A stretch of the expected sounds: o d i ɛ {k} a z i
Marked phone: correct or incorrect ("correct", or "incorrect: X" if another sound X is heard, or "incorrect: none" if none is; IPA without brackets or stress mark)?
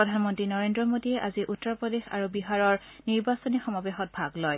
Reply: incorrect: ʔ